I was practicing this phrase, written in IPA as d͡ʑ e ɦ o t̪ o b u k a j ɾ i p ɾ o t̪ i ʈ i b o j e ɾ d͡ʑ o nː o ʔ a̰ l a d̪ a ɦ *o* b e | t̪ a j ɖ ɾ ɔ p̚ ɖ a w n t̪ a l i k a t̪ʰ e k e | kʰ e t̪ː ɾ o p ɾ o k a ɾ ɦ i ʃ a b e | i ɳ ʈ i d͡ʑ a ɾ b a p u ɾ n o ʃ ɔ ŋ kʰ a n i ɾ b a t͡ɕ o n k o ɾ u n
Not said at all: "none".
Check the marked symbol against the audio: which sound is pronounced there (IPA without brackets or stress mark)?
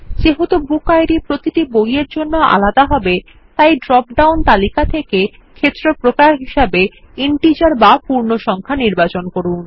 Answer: ɔ